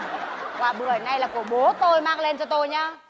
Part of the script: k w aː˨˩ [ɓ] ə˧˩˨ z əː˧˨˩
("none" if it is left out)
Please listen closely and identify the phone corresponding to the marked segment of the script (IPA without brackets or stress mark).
ɓ